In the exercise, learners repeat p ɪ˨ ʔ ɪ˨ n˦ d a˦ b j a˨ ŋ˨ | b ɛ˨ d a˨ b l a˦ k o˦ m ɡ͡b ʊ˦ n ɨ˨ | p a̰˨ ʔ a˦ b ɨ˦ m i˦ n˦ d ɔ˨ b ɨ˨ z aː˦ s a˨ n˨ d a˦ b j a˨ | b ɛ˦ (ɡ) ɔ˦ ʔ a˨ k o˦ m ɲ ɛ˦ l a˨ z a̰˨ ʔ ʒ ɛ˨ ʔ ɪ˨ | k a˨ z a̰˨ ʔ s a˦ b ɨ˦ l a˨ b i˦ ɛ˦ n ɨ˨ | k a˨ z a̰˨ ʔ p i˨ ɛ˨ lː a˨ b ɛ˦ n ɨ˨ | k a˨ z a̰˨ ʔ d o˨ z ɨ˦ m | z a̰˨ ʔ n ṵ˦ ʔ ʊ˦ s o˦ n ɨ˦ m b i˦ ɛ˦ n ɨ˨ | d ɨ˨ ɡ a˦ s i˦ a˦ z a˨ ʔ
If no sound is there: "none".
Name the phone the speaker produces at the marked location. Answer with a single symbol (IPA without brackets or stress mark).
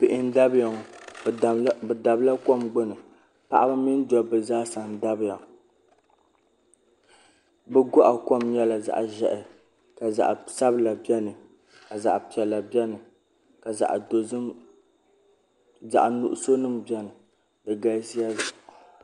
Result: ɡ